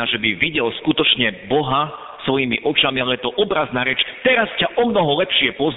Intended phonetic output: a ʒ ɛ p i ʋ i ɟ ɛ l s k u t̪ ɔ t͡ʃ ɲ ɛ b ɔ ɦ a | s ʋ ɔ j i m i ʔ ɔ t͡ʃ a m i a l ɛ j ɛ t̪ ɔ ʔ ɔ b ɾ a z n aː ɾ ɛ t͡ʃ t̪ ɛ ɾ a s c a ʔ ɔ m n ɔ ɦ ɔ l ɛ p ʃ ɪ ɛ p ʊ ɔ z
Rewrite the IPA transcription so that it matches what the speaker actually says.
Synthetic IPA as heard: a ʒ ɛ b i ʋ i ɟ ɛ l s k u t̪ ɔ t͡ʃ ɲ ɛ b ɔ ɦ a | s ʋ ɔ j i m i ʔ ɔ t͡ʃ a m i a l ɛ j ɛ t̪ ɔ ʔ ɔ b ɾ a z n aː ɾ ɛ t͡ʃ t̪ ɛ ɾ a s c a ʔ ɔ m n ɔ ɦ ɔ l ɛ p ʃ ɪ ɛ p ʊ ɔ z